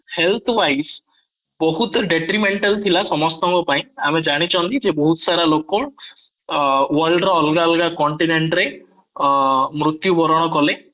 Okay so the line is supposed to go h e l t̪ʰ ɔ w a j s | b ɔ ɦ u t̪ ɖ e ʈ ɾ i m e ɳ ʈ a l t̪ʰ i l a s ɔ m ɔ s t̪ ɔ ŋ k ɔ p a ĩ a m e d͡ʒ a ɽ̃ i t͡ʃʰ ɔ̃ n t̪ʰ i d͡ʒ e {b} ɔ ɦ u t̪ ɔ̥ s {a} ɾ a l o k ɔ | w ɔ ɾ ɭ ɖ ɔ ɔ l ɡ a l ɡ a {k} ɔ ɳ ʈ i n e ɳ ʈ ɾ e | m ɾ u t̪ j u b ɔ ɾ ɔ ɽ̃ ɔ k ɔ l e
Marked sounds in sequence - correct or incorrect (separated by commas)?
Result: correct, correct, correct